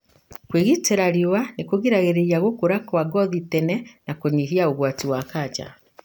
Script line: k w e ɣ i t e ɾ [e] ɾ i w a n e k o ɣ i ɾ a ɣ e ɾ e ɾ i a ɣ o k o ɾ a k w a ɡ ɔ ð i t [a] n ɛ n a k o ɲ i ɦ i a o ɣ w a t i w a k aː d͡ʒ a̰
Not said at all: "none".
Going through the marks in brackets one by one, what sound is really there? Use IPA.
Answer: a, ɛ

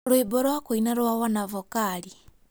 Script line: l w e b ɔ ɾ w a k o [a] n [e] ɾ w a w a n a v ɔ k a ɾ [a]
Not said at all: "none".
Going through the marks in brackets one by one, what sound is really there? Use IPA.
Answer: i, a, i

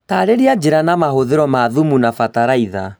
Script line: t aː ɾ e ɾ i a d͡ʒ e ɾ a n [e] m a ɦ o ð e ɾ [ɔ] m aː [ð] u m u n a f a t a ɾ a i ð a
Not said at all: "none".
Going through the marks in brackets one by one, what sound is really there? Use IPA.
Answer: a, ɔ, ð

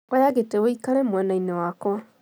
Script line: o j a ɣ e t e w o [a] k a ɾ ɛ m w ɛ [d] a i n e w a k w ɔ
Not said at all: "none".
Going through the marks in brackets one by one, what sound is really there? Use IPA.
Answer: i, n

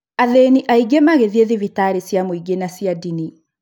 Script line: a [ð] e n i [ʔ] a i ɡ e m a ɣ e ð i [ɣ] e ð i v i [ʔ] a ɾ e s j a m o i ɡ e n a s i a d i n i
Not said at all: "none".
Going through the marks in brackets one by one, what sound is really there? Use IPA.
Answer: ð, ʔ, none, t

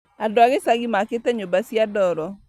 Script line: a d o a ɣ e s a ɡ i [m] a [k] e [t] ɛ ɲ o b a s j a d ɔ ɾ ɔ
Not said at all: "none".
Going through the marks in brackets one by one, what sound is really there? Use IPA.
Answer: m, k, t

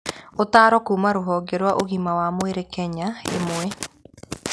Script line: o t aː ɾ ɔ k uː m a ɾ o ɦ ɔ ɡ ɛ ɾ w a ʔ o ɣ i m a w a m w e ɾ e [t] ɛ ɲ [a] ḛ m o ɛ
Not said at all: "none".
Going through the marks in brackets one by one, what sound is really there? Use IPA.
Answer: k, a

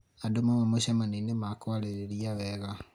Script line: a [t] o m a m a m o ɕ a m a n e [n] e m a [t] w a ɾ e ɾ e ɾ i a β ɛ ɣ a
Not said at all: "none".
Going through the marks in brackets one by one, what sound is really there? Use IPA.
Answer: d, n, k

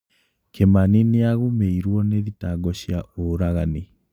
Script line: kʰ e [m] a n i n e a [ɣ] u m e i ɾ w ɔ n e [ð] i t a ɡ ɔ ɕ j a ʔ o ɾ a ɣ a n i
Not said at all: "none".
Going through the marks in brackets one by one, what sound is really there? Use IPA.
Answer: m, ɣ, ð

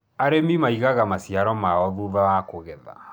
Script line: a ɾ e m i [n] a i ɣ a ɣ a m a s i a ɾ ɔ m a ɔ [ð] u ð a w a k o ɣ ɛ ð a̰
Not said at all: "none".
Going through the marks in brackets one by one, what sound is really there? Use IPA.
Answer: m, ð

